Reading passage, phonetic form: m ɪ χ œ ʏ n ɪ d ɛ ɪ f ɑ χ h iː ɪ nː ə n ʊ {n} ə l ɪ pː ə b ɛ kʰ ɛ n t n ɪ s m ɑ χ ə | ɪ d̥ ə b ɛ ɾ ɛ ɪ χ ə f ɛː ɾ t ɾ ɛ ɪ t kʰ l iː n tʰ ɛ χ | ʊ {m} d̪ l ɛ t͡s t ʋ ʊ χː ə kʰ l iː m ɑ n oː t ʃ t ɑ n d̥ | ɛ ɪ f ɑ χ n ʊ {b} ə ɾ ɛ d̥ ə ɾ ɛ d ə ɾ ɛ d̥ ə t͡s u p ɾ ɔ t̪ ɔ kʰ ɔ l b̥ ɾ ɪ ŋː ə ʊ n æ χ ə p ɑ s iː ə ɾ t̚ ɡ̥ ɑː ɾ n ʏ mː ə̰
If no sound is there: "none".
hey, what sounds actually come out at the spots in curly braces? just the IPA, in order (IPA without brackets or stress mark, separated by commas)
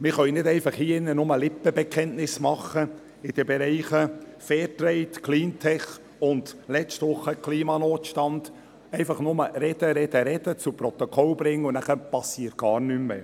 m, n, m